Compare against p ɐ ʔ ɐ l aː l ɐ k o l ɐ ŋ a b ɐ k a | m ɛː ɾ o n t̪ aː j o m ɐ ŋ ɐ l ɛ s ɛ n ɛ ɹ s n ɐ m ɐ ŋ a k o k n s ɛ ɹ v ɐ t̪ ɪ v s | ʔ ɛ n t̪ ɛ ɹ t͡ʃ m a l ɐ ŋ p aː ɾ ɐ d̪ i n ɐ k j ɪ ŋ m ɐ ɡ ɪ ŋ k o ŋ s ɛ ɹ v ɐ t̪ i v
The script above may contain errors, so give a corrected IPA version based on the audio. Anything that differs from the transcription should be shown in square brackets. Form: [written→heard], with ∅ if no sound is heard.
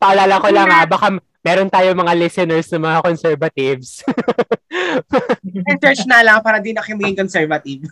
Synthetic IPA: p ɐ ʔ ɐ l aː l ɐ k o l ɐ ŋ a b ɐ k a | m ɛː ɾ o n t̪ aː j o m ɐ ŋ [ɐ→a] l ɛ s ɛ n ɛ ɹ s n ɐ m ɐ ŋ a k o [k→∅] n s ɛ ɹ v ɐ t̪ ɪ v s | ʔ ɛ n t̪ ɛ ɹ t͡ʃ [m→n] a l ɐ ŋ p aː ɾ ɐ d̪ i n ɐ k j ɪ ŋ m ɐ ɡ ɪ ŋ k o [ŋ→n] s ɛ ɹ v ɐ t̪ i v